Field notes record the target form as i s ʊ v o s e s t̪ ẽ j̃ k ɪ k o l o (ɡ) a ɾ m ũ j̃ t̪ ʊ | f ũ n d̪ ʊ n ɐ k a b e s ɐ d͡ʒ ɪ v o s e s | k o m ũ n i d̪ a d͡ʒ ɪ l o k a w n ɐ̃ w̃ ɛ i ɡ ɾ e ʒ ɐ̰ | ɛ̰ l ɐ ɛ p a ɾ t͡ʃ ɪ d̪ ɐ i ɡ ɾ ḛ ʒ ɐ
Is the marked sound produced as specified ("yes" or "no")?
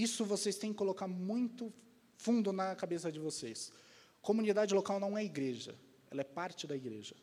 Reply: no